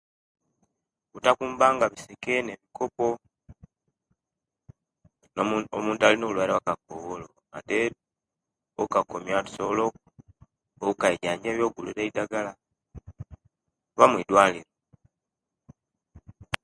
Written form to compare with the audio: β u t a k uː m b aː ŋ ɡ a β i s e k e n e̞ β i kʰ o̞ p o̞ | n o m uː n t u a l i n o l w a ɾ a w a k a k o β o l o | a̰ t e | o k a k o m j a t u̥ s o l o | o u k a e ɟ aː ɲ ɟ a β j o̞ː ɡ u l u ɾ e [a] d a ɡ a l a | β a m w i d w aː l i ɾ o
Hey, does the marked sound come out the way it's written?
no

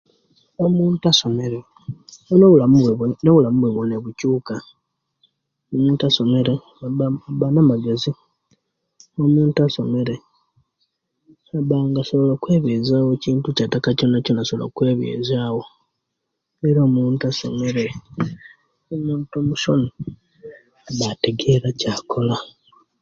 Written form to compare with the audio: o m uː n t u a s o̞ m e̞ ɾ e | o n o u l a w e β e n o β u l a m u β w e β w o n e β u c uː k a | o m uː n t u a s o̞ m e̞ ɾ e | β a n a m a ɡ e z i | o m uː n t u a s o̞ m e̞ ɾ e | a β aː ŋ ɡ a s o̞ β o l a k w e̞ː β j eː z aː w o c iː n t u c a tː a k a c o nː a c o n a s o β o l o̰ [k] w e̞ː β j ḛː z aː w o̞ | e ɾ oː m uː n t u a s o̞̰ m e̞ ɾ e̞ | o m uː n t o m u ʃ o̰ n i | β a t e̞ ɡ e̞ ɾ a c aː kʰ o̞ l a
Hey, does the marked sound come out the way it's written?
yes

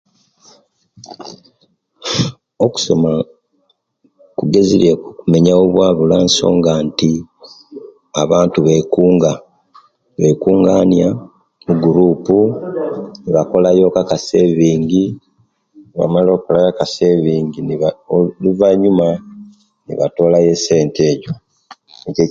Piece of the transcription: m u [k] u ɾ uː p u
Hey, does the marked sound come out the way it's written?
no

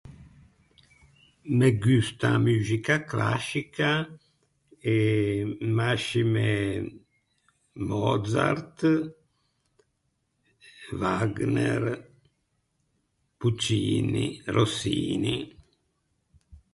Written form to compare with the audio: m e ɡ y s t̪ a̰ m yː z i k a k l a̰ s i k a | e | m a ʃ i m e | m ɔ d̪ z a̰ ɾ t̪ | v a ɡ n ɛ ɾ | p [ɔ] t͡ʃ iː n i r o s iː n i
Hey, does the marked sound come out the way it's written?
no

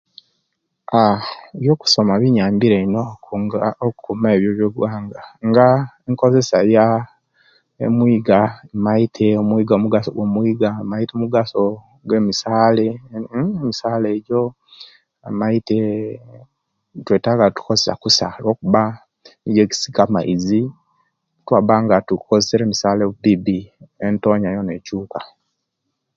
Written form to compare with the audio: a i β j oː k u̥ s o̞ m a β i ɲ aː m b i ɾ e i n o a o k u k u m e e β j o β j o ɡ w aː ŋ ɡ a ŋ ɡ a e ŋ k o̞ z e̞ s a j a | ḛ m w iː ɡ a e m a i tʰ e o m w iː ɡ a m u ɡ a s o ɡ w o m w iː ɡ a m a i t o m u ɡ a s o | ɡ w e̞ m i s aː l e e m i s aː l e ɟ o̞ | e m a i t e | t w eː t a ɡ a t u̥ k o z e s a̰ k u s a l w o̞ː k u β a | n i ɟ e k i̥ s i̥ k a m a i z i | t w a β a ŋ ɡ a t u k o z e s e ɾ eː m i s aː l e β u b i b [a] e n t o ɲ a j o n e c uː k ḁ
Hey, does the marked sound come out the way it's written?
no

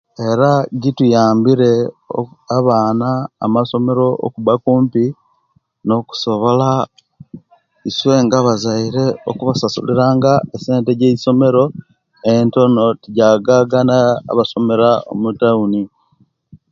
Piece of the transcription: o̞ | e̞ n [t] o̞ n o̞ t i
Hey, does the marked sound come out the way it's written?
yes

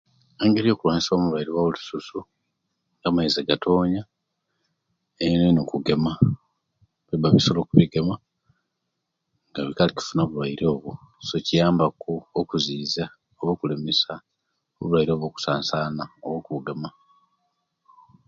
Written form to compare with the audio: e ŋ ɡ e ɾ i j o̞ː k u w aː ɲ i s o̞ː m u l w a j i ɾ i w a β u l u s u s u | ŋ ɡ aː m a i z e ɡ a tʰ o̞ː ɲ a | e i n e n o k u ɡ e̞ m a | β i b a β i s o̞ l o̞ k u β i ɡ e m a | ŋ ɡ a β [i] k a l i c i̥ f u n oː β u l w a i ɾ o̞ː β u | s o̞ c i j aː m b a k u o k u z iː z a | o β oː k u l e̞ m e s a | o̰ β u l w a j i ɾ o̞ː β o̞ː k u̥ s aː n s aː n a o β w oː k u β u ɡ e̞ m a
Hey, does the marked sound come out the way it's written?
yes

